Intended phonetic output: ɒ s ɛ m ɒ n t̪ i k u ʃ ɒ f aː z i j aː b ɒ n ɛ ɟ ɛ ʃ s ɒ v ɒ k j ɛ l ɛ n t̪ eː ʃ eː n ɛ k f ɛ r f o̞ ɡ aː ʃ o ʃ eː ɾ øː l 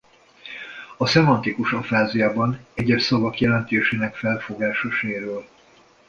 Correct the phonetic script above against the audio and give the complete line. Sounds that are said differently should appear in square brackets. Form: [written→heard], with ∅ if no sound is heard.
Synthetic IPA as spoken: ɒ s ɛ m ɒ n t̪ i k u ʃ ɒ f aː z i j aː b ɒ n ɛ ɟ ɛ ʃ s ɒ v ɒ k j ɛ l ɛ n t̪ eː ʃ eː n ɛ k f ɛ [r→l] f o̞ ɡ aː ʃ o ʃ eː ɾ øː l